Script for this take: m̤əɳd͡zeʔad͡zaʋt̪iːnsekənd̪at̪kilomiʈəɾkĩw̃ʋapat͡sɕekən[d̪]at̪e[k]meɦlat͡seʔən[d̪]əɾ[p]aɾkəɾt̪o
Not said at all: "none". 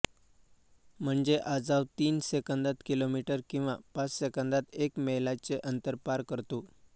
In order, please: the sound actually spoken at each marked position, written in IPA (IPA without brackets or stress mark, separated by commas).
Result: d̪, k, t̪, p